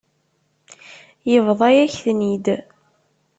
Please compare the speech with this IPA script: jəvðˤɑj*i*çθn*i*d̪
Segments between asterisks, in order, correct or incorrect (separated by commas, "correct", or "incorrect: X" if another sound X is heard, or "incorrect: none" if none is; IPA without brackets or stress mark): incorrect: æ, correct